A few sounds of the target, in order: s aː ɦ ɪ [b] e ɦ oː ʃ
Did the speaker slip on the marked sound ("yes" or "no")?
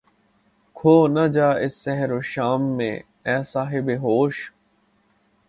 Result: no